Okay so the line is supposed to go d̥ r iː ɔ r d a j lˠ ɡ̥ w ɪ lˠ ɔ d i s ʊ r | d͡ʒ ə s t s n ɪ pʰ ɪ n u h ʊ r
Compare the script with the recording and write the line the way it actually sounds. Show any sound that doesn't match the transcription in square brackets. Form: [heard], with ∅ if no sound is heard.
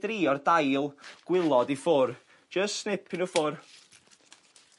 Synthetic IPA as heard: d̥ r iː ɔ r d a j lˠ ɡ̥ w ɪ lˠ ɔ d i [f] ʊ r | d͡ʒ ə s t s n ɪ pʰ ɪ n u [f] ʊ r